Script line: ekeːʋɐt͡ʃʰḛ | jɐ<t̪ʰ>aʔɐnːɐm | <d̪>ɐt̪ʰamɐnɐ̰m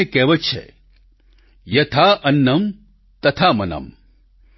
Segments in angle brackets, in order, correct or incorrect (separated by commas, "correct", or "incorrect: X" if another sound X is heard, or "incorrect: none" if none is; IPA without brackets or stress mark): correct, incorrect: t̪